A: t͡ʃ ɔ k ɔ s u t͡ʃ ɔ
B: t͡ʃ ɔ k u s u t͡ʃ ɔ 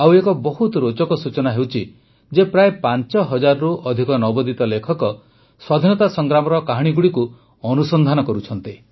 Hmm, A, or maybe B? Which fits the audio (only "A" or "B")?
A